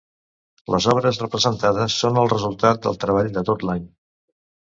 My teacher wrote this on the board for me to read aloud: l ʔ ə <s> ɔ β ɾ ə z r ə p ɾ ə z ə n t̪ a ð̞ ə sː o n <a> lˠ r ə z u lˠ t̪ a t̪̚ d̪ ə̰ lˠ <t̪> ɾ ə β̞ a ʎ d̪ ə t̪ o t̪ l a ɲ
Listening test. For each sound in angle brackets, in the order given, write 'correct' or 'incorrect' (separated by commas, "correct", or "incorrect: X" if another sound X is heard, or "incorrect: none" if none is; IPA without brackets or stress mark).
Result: incorrect: z, incorrect: ə, correct